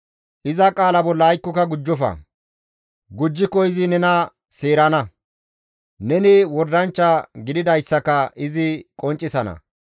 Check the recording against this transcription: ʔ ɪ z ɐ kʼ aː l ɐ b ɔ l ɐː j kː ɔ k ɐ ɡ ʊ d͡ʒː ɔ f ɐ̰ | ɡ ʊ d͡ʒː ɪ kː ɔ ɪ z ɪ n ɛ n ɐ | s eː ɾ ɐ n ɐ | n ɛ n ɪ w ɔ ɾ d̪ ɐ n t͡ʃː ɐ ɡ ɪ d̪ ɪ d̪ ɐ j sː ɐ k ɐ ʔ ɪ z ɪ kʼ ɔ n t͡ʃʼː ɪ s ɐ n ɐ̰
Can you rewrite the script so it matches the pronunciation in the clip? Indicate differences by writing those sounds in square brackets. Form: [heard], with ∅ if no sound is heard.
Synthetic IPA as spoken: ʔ ɪ z ɐ kʼ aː l ɐ b ɔ [lː] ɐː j kː ɔ k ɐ ɡ ʊ d͡ʒː ɔ f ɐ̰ | ɡ ʊ d͡ʒː ɪ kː ɔ ɪ z ɪ n ɛ n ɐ | s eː ɾ ɐ n ɐ | n ɛ n ɪ w ɔ ɾ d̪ ɐ n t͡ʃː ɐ ɡ ɪ d̪ ɪ d̪ ɐ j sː ɐ k ɐ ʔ ɪ z ɪ kʼ ɔ n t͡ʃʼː ɪ s ɐ n ɐ̰

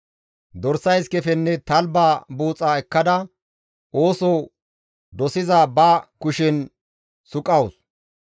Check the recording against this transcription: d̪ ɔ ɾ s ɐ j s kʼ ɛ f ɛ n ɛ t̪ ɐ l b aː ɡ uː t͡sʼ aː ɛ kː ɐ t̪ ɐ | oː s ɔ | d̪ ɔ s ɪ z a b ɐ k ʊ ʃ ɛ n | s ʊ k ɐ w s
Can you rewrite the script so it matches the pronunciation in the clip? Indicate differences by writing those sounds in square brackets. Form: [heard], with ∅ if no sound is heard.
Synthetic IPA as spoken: d̪ ɔ ɾ s ɐ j s [k] ɛ f ɛ [nː] ɛ t̪ ɐ l b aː [b] uː t͡sʼ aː ɛ kː ɐ [d̪] ɐ | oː s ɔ | d̪ ɔ s ɪ z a b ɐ k ʊ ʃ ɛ n | s ʊ [kʼ] ɐ w s

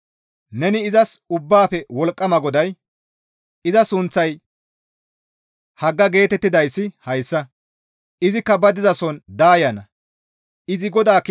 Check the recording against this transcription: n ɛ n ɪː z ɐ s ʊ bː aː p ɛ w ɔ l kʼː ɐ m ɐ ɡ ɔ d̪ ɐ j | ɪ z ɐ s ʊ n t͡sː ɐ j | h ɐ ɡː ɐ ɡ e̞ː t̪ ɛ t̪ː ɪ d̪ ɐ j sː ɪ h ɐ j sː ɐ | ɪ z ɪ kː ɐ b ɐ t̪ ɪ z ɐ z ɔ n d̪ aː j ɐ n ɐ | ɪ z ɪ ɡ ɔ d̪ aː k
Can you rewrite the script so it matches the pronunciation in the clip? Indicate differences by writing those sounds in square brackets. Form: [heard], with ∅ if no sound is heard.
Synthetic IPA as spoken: n ɛ n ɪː z ɐ s ʊ bː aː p ɛ w ɔ l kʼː ɐ m ɐ ɡ ɔ d̪ ɐ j | ɪ z ɐ s ʊ n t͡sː ɐ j | h ɐ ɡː ɐ ɡ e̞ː t̪ ɛ t̪ː ɪ d̪ ɐ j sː ɪ h ɐ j sː ɐ | ɪ z ɪ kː ɐ b ɐ [d̪] ɪ z ɐ [s] ɔ n d̪ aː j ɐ n ɐ | ɪ z ɪ ɡ ɔ d̪ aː k

